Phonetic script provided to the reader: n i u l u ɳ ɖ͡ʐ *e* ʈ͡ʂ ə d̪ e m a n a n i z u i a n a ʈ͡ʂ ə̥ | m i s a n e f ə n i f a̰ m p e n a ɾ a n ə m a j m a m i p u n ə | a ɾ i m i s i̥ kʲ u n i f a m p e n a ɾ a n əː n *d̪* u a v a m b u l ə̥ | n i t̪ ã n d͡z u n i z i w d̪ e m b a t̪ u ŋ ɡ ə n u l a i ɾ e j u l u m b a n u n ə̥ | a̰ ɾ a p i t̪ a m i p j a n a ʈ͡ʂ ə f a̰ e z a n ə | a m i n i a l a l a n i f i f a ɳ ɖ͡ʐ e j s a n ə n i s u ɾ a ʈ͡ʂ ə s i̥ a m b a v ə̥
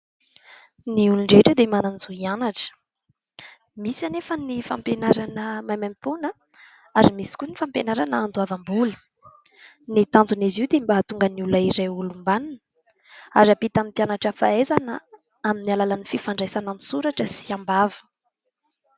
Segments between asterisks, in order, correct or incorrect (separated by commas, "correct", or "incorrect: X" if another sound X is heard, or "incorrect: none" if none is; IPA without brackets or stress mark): correct, correct